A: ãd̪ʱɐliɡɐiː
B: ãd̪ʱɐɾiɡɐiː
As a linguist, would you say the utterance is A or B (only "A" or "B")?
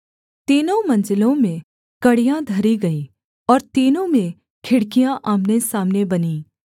B